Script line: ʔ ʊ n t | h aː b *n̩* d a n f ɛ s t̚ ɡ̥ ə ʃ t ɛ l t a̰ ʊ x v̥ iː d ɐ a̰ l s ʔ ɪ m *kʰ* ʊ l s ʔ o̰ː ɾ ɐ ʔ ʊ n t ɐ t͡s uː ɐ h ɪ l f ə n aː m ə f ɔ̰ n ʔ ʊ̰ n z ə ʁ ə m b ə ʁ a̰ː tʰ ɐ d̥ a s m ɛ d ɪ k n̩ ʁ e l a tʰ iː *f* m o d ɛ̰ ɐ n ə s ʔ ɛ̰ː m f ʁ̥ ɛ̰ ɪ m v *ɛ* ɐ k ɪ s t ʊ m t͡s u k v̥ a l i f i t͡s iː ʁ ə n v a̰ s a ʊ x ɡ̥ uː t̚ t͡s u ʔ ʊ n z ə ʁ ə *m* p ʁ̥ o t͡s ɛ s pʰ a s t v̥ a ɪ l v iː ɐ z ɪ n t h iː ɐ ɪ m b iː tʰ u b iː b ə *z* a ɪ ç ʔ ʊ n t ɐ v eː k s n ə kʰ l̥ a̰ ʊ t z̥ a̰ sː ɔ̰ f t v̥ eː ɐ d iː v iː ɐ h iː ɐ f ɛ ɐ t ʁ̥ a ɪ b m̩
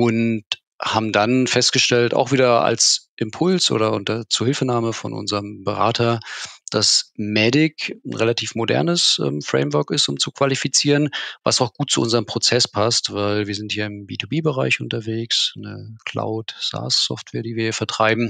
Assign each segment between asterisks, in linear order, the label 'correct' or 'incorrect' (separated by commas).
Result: incorrect, incorrect, correct, incorrect, correct, incorrect